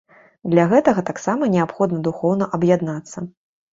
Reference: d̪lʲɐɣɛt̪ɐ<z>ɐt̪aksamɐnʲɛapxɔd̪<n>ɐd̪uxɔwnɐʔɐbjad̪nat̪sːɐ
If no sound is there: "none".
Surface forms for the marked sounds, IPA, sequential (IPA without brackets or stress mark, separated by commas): ɣ, n